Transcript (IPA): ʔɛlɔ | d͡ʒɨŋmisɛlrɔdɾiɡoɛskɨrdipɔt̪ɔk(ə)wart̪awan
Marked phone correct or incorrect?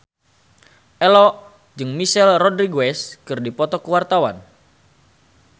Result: correct